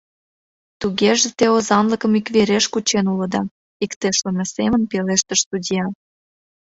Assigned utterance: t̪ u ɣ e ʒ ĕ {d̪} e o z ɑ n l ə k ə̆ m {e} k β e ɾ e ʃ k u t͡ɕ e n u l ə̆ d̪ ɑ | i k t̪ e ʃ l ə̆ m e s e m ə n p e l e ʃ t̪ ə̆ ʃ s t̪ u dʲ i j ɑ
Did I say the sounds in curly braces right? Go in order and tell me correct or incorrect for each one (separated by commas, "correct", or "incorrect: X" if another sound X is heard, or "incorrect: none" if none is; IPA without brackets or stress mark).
incorrect: t̪, incorrect: i